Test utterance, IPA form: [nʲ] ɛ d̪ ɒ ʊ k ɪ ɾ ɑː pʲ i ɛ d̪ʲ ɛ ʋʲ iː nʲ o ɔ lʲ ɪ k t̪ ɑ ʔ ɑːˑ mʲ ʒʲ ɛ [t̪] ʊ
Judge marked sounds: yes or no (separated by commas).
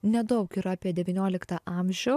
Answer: yes, no